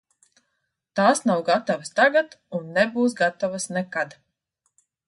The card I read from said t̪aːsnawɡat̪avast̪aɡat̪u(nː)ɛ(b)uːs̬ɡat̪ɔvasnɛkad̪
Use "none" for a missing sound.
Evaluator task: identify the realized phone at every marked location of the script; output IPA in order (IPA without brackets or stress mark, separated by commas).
nː, b